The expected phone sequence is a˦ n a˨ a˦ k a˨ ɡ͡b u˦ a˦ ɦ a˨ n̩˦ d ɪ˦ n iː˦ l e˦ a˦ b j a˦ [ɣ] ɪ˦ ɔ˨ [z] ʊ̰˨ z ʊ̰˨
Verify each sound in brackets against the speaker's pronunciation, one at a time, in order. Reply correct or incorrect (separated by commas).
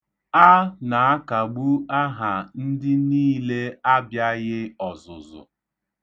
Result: correct, correct